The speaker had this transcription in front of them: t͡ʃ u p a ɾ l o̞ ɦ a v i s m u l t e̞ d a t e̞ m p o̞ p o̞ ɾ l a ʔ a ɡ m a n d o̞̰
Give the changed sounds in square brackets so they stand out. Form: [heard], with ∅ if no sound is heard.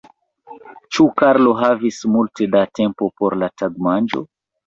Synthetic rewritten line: t͡ʃ u [k] a ɾ l o̞ ɦ a v i s m u l t e̞ d a t e̞ m p o̞ p o̞ ɾ l a [t] a ɡ m a n [d͡ʒ] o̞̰